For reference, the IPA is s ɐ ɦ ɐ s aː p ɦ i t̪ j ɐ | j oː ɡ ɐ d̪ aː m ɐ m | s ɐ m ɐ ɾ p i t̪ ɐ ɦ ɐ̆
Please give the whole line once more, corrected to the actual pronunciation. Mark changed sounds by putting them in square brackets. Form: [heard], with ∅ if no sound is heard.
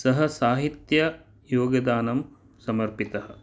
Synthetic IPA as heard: s ɐ ɦ ɐ s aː [∅] ɦ i t̪ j ɐ | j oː ɡ ɐ d̪ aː [n] ɐ m | s ɐ m ɐ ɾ p i t̪ ɐ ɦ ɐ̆